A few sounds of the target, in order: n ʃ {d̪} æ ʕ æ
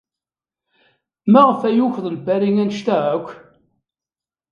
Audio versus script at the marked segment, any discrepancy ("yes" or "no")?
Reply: yes